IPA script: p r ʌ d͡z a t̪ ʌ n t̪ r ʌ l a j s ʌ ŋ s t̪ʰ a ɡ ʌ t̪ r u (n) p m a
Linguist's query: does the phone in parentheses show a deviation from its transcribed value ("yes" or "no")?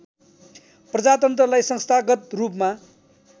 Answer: yes